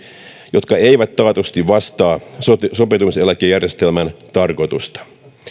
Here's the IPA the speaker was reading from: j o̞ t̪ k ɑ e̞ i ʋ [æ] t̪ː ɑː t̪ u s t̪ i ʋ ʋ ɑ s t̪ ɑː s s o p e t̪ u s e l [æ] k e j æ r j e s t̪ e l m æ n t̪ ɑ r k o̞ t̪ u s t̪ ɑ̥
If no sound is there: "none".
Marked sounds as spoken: æ, æ

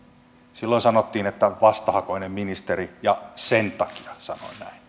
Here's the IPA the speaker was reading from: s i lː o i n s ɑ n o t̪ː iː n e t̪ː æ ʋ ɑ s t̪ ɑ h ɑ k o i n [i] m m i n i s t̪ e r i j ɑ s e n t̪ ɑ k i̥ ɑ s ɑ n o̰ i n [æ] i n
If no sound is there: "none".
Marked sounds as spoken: e, æ

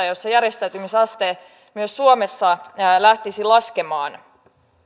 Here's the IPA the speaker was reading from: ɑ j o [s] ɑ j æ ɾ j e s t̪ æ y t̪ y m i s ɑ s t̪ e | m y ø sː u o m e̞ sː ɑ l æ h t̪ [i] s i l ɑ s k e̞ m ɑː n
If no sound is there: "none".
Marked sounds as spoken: sː, i

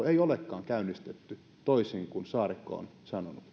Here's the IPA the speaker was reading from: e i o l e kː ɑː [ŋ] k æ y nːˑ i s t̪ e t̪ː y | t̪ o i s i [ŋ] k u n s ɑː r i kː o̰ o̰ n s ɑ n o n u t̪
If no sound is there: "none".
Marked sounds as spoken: ŋ, ŋ

